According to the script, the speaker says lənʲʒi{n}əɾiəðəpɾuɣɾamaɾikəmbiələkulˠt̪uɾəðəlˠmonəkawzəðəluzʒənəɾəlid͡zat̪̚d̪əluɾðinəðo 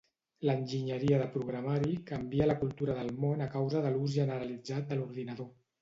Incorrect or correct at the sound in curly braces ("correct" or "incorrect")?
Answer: incorrect